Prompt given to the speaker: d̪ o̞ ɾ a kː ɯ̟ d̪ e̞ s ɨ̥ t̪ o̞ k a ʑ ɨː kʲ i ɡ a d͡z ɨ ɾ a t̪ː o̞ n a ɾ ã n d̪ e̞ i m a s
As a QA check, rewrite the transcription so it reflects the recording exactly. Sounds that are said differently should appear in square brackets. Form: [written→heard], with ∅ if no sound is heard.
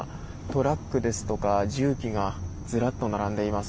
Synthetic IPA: [d̪→t̪] o̞ ɾ a kː ɯ̟ d̪ e̞ s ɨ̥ t̪ o̞ k a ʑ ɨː kʲ i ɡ a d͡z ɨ ɾ a t̪ː o̞ n a ɾ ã n d̪ e̞ i m a s